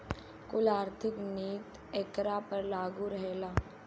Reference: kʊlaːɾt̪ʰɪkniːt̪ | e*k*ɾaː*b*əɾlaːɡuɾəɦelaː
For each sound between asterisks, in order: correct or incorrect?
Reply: correct, incorrect: p

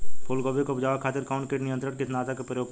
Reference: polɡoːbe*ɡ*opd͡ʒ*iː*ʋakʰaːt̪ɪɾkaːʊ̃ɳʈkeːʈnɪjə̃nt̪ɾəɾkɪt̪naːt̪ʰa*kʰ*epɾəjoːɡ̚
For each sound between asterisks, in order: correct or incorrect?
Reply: incorrect: k, incorrect: aː, incorrect: k

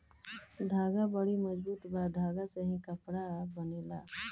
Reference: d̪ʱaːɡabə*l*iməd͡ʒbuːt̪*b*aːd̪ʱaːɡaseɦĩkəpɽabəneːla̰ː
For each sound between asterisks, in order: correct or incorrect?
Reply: incorrect: ɽ, correct

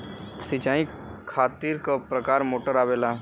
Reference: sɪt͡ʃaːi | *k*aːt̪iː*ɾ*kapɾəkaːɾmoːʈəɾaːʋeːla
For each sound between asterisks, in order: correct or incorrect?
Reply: incorrect: kʰ, correct

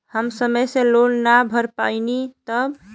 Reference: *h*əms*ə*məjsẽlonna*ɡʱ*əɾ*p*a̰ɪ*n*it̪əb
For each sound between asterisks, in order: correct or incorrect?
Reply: correct, correct, incorrect: bʱ, correct, correct

